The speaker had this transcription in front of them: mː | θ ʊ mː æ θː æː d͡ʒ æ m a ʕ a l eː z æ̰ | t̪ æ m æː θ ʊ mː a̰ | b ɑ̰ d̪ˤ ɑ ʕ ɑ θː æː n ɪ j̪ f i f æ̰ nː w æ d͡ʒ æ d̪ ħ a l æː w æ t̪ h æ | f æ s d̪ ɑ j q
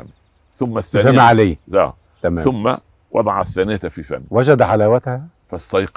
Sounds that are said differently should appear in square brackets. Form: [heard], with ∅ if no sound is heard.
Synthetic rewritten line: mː | θ ʊ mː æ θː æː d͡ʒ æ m a ʕ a l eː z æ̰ | t̪ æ m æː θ ʊ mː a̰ | [w] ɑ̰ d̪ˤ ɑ ʕ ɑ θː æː n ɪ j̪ f i f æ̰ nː w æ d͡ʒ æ d̪ ħ a l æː w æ t̪ h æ | f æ s [t̪] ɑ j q